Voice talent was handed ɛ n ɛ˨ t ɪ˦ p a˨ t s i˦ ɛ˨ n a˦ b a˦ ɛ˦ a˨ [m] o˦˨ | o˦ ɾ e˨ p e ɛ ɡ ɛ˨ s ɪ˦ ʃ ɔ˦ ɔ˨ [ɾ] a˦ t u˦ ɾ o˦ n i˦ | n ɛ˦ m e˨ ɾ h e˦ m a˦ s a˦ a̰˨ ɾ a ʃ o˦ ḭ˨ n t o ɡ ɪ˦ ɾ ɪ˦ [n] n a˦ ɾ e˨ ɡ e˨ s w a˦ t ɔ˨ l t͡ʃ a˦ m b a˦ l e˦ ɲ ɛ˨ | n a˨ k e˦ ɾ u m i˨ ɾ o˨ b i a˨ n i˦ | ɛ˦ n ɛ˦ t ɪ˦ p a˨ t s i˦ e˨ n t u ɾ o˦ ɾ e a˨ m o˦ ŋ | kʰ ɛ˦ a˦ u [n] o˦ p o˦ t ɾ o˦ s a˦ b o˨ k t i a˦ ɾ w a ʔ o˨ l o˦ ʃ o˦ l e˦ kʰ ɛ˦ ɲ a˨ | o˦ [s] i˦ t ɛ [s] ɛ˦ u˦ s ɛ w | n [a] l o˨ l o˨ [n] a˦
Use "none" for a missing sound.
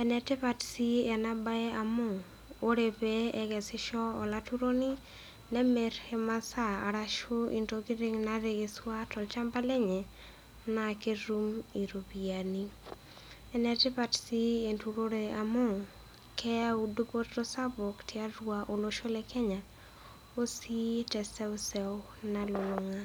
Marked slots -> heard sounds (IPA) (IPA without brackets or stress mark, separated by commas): m, l, ŋ, d, s, s, a, ŋ